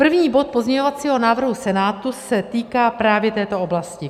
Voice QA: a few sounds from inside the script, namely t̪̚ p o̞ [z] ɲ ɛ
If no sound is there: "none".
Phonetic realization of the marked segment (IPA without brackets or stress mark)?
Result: z